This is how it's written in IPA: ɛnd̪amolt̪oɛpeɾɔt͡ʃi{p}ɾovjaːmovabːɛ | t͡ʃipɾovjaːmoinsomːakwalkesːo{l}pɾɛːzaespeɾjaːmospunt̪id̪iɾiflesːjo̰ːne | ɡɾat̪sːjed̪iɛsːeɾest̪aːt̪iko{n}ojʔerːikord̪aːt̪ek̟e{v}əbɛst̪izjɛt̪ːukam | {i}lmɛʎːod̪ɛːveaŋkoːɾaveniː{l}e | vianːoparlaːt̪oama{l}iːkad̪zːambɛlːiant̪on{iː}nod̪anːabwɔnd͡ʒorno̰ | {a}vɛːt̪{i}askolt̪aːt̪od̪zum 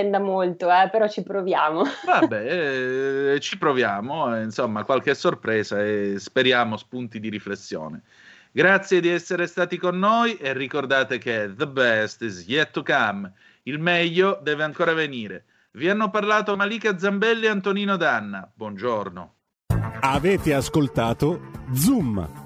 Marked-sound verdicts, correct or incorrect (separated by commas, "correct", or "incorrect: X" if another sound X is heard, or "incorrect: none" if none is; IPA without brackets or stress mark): correct, incorrect: r, incorrect: nː, incorrect: ð, correct, incorrect: ɾ, correct, correct, correct, incorrect: e